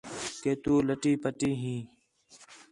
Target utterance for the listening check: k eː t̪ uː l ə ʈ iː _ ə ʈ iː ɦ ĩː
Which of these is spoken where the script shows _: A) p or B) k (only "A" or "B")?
A